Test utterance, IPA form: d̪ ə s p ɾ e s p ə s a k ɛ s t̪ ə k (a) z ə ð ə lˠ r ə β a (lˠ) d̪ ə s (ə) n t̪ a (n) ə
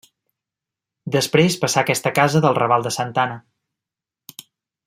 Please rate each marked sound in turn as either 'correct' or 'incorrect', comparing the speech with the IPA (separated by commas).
correct, correct, correct, correct